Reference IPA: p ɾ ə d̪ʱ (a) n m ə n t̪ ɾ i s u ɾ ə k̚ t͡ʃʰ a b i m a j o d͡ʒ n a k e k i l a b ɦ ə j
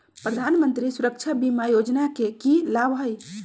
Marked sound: correct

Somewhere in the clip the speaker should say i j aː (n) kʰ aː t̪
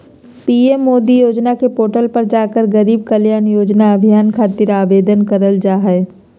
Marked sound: correct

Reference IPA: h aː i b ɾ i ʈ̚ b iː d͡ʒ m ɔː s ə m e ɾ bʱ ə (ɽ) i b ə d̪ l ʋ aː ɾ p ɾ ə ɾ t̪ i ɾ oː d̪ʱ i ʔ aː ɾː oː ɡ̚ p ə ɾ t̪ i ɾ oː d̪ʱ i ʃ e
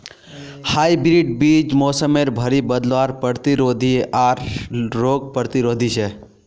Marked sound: incorrect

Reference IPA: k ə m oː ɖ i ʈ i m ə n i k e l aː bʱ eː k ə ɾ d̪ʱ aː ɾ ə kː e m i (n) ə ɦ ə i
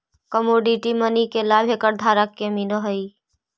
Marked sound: correct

